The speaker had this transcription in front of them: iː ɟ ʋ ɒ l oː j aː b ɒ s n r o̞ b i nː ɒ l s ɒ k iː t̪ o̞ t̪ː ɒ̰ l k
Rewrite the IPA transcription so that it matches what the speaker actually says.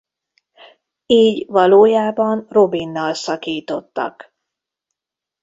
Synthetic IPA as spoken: iː ɟ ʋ ɒ l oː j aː b ɒ n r o̞ b i nː ɒ l s ɒ k iː t̪ o̞ t̪ː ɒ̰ k